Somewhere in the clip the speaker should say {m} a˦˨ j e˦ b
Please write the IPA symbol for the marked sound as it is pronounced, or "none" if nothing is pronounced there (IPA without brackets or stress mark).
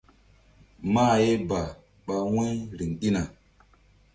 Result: m